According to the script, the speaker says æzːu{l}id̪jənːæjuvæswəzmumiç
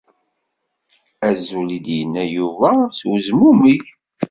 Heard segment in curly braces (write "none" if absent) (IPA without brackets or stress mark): l